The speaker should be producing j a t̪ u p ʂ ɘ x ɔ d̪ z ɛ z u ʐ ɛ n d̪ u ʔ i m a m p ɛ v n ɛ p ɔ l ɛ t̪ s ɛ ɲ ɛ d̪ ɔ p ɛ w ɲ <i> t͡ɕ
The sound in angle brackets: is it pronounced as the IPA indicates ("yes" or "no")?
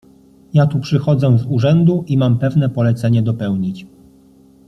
yes